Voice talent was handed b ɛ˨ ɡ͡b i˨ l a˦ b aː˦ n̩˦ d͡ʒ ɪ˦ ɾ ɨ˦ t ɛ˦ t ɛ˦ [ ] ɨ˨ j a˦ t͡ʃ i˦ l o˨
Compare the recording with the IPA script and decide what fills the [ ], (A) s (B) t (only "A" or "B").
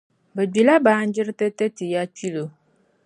B